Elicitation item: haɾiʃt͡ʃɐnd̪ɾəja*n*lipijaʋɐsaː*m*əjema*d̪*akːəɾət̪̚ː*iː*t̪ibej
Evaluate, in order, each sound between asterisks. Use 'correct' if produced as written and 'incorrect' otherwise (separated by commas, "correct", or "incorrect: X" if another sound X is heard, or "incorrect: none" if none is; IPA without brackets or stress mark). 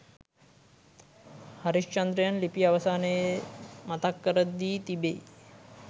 correct, incorrect: n, incorrect: t̪, correct